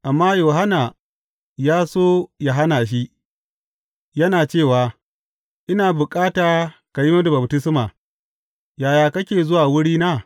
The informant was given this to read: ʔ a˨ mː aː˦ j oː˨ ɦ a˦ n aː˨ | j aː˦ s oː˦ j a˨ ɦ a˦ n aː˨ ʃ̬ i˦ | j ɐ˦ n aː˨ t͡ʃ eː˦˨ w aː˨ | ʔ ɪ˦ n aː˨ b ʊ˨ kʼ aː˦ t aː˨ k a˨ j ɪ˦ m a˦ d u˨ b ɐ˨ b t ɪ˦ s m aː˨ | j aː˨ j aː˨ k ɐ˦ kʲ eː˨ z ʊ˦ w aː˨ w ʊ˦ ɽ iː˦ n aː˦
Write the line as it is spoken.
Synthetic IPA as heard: ʔ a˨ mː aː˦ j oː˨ ɦ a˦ n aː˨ | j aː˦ s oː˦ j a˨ ɦ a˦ n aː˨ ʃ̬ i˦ | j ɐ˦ n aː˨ t͡ʃ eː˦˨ w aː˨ | ʔ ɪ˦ n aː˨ b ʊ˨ kʼ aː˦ t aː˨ k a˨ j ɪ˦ m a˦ d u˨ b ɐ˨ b t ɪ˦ s m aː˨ | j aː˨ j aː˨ k ɐ˦ kʲ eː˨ z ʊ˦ w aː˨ w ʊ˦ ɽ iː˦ n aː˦